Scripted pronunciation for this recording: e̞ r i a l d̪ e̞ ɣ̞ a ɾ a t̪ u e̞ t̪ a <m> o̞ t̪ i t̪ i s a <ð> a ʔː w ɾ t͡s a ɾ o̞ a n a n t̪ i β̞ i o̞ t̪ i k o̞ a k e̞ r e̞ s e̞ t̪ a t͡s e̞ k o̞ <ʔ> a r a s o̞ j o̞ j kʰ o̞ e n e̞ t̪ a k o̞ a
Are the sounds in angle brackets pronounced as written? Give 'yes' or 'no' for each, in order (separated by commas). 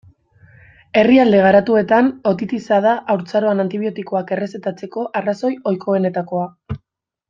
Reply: no, yes, yes